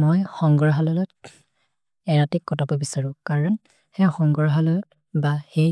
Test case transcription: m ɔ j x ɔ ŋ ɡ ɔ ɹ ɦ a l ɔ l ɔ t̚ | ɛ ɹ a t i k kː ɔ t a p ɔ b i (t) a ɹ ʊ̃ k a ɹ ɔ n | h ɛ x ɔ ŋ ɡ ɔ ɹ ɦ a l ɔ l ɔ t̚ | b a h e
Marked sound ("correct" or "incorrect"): incorrect